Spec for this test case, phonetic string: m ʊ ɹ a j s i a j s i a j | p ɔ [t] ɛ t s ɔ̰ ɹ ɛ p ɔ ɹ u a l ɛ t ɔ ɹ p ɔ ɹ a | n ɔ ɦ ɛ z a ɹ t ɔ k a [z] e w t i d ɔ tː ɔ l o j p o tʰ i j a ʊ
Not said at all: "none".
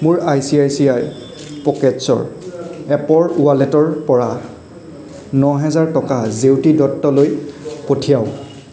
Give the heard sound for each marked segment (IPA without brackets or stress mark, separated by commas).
k, z